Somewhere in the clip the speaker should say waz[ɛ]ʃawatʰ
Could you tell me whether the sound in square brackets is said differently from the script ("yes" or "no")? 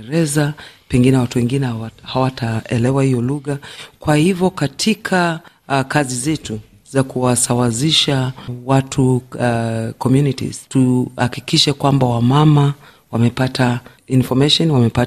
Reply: yes